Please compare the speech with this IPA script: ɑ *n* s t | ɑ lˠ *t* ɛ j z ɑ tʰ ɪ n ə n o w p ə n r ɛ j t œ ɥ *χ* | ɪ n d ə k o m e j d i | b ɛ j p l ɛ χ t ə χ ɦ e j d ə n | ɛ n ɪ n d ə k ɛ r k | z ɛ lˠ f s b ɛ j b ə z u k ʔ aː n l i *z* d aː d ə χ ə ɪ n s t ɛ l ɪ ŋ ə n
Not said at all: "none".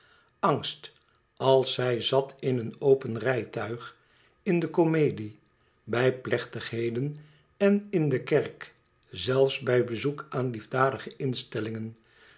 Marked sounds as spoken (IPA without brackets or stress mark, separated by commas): ŋ, s, χ, v